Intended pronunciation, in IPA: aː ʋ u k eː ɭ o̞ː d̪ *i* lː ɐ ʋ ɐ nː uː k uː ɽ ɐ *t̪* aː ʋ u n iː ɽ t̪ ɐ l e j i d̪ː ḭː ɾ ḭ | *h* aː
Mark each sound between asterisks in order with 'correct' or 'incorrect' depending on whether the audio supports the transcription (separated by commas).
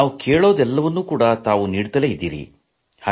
incorrect, correct, correct